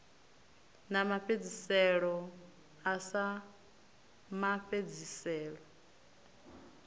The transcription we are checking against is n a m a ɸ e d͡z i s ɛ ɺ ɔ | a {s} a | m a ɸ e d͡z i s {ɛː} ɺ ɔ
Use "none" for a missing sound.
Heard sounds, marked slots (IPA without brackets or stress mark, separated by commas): s, ɛː